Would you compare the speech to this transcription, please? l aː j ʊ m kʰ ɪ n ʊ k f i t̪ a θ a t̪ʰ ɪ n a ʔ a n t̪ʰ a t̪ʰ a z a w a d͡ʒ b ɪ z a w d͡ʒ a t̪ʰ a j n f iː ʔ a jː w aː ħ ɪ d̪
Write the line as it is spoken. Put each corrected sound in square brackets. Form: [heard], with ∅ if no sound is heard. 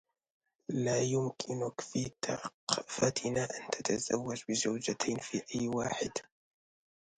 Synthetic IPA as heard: l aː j ʊ m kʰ ɪ n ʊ k f i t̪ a [f] a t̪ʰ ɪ n a ʔ a n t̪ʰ a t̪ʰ a z a [wː] a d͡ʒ b ɪ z a w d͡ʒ a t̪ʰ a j n f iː ʔ a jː w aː ħ ɪ d̪

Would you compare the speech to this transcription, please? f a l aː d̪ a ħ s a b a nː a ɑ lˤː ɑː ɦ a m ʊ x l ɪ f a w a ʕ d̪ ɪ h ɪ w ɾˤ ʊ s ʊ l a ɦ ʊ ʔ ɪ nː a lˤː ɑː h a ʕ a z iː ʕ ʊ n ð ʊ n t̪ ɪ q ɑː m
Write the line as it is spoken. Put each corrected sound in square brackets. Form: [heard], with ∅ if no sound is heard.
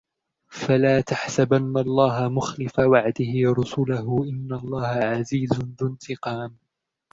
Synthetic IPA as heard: f a l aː [t̪] a ħ s a b a nː a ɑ lˤː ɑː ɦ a m ʊ x l ɪ f a w a ʕ d̪ ɪ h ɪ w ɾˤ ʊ s ʊ l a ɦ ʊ ʔ ɪ nː a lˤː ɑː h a ʕ a z iː [z] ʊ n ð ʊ n t̪ ɪ q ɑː m

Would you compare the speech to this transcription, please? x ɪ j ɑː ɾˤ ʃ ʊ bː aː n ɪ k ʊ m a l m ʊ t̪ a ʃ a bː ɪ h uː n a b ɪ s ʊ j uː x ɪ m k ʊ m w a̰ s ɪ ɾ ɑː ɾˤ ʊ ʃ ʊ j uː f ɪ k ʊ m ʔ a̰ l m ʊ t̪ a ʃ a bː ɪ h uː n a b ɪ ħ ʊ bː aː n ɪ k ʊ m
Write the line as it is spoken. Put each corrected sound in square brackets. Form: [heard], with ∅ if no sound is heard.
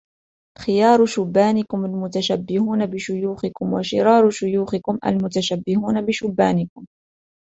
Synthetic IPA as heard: x ɪ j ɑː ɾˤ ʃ ʊ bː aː n ɪ k ʊ m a l m ʊ t̪ a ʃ a bː ɪ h uː n a b ɪ [ʃ] ʊ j uː x ɪ [∅] k ʊ m w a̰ [ʃ] ɪ ɾ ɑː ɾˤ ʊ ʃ ʊ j uː [x] ɪ k ʊ m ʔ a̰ l m ʊ t̪ a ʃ a bː ɪ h uː n a b ɪ [ʃ] ʊ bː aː n ɪ k ʊ m

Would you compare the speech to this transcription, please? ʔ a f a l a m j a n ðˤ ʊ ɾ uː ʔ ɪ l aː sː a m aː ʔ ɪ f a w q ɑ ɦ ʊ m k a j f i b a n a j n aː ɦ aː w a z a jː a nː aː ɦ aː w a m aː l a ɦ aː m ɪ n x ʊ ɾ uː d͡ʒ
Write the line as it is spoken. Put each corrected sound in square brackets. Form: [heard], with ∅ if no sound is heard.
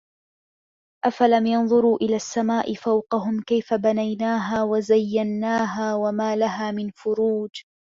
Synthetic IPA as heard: ʔ a f a l a m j [ɑ] n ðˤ ʊ ɾ uː ʔ ɪ l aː sː a m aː ʔ ɪ f a w q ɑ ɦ ʊ m k a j f [a] b a n a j n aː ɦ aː w a z a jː a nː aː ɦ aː w a m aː l a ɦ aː m ɪ n [f] ʊ ɾ uː d͡ʒ

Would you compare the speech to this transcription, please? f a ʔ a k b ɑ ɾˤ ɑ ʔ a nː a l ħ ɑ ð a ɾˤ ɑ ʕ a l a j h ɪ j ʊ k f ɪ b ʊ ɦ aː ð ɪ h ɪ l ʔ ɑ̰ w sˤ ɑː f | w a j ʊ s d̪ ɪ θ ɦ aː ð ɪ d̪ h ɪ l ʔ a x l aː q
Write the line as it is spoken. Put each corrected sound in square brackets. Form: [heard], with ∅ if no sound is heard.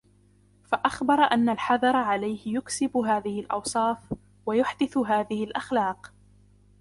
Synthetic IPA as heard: f a ʔ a [x] b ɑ ɾˤ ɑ ʔ a nː a l ħ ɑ ð [ɑ] ɾˤ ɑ ʕ a l a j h ɪ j ʊ k [s] ɪ b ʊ ɦ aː ð ɪ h ɪ l ʔ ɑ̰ w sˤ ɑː f | w a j ʊ [ħ] d̪ ɪ θ ɦ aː ð ɪ [∅] h ɪ l ʔ a x l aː q

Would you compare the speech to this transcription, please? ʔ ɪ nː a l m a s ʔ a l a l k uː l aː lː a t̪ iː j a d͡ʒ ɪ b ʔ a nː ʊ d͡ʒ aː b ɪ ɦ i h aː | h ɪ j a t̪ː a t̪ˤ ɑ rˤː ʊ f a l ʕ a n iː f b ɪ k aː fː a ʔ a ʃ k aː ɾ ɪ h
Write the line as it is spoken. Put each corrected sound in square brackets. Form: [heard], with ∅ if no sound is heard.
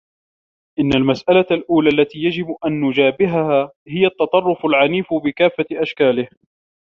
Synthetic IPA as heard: ʔ ɪ nː a l m a s ʔ a l a l [ʔ] uː l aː lː a t̪ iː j a d͡ʒ ɪ b ʔ a nː ʊ d͡ʒ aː b ɪ ɦ [a] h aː | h ɪ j a t̪ː [ɑ] t̪ˤ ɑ rˤː ʊ f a l ʕ a n iː f b ɪ k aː fː a ʔ a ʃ k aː [l] ɪ h

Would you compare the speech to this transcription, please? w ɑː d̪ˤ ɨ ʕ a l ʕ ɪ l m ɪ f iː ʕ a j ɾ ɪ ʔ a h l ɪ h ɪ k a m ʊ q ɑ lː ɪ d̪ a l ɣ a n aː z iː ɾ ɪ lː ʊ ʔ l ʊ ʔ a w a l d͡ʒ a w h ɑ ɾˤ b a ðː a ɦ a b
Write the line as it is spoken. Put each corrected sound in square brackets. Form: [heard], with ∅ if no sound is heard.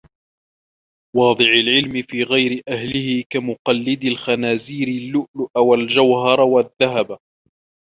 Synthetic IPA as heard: w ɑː d̪ˤ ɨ ʕ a l ʕ ɪ l m ɪ f iː [ɣ] a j ɾ ɪ ʔ a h l ɪ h ɪ k a m ʊ q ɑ lː ɪ d̪ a l [x] a n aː z iː ɾ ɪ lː ʊ ʔ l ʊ ʔ a w a l d͡ʒ a w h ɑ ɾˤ [w] a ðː a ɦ a b

